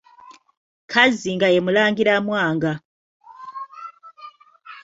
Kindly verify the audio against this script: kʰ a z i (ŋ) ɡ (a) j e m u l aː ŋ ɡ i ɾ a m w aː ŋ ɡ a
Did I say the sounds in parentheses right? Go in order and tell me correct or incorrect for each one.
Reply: correct, correct

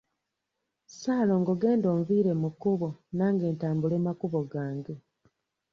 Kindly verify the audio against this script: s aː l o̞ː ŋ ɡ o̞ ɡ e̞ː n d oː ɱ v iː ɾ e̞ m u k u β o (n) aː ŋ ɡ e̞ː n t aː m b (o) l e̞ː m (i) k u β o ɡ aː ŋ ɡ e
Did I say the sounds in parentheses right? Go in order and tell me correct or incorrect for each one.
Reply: correct, incorrect, incorrect

